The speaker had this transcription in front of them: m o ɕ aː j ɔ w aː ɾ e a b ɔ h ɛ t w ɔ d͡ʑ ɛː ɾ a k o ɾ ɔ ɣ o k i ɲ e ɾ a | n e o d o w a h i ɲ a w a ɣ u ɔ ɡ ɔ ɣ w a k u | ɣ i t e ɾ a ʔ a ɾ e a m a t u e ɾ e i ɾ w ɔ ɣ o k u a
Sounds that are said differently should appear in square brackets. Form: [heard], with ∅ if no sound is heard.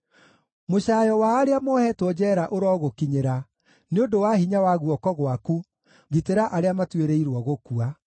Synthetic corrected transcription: m o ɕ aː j ɔ w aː ɾ e a [m] ɔ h ɛ t w ɔ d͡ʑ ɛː ɾ a [ʔ] o ɾ ɔ ɣ o k i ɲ e ɾ a | n e o d o w a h i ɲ a w a ɣ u ɔ [k] ɔ ɣ w a k u | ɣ i t e ɾ a ʔ a ɾ e a m a t [w] e ɾ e i ɾ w ɔ ɣ o k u a